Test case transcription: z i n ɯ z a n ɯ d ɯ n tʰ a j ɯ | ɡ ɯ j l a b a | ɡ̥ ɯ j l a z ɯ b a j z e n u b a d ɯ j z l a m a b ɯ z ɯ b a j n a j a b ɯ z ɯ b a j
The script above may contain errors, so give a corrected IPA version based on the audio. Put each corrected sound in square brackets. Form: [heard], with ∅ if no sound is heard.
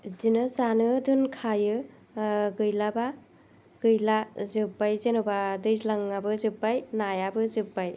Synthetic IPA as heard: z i n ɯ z a n ɯ d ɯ n [kʰ] a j ɯ | ɡ ɯ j l a b a | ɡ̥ ɯ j l a z ɯ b a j z e n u b a d ɯ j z l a [ŋ] a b ɯ z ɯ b a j n a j a b ɯ z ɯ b a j